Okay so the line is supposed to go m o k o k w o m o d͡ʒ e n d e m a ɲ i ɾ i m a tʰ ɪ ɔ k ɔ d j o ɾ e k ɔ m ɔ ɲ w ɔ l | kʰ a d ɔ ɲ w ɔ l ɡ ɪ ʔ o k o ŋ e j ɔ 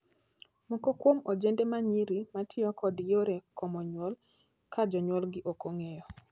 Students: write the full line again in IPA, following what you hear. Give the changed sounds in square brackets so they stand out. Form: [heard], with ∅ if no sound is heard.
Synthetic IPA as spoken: m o k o k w o m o d͡ʒ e n d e m a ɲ i ɾ i m a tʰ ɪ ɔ k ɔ d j o ɾ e k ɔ m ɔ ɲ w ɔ l | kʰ a [d͡ʒ] ɔ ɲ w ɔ l ɡ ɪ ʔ o k o ŋ e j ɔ